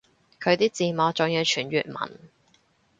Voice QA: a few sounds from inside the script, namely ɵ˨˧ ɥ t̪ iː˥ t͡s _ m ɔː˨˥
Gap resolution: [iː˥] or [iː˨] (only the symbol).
iː˨